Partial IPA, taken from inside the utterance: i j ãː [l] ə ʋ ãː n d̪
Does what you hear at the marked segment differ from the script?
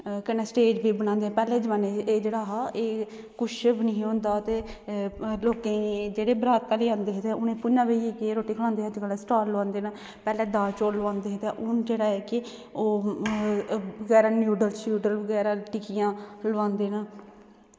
no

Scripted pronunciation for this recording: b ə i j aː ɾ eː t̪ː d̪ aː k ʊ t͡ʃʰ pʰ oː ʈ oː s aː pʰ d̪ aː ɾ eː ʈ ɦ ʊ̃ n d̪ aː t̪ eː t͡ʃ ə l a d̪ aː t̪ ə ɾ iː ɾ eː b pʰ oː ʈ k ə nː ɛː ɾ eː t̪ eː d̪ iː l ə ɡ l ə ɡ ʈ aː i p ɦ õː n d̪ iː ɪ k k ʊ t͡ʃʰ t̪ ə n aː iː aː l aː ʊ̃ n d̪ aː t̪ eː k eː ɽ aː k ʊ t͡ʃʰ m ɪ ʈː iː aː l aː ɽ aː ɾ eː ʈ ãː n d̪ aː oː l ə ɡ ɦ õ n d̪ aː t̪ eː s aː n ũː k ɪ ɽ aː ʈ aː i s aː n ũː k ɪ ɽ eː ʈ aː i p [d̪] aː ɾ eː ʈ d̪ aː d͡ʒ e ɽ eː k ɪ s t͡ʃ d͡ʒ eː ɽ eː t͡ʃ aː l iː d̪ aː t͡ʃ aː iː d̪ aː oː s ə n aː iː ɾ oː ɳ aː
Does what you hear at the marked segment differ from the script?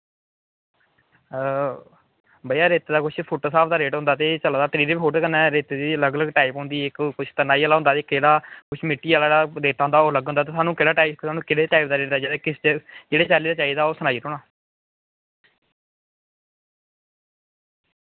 no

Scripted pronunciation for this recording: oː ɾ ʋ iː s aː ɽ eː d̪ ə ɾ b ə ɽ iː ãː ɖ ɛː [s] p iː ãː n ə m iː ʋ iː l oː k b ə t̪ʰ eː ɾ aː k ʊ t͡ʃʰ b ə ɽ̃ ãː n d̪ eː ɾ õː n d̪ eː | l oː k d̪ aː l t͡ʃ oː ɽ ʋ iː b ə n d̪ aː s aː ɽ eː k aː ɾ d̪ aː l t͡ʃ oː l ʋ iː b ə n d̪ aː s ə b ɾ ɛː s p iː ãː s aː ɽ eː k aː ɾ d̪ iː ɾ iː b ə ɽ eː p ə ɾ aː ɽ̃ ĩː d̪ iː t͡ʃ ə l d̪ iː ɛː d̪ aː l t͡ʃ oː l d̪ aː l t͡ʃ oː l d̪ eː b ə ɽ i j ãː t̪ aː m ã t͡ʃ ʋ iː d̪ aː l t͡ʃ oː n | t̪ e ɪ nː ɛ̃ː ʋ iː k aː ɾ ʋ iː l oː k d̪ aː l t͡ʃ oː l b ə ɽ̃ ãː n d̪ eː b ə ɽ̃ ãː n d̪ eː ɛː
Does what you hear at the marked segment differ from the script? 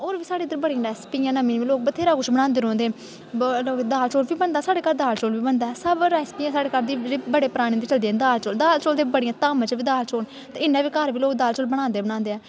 no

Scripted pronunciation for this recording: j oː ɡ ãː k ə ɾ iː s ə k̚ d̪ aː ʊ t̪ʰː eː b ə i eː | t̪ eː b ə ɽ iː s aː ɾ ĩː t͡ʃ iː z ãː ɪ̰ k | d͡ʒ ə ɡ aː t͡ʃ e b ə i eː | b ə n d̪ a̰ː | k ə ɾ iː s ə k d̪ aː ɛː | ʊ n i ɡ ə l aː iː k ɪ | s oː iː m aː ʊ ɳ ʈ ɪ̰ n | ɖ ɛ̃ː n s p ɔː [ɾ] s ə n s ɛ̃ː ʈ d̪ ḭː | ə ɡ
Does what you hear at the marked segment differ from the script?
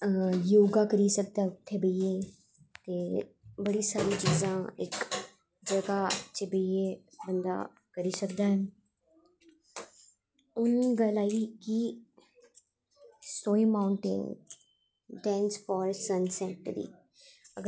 no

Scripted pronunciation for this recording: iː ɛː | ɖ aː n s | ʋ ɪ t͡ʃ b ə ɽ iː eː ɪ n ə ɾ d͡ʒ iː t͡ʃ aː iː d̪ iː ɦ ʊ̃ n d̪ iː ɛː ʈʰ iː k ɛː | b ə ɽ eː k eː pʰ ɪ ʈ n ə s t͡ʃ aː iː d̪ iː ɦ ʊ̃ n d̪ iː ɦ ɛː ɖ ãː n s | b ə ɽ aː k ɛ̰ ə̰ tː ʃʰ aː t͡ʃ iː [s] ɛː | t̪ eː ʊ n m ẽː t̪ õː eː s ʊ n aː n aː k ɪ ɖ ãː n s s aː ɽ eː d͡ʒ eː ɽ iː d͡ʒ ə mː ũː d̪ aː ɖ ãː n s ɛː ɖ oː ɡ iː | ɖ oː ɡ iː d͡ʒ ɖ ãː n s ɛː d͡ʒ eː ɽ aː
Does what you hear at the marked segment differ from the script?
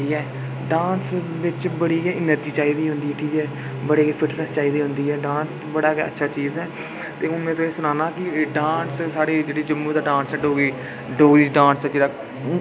yes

